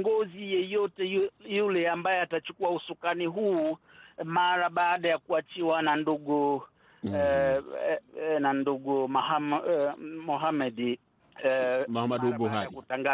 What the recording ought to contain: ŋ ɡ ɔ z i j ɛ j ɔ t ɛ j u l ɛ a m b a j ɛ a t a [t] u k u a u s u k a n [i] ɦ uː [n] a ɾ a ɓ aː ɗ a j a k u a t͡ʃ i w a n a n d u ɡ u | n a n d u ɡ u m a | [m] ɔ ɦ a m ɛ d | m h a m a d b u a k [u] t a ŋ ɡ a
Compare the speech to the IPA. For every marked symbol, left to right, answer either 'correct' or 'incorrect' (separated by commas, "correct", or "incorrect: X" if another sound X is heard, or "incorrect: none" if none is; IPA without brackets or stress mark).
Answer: incorrect: t͡ʃ, correct, incorrect: m, correct, correct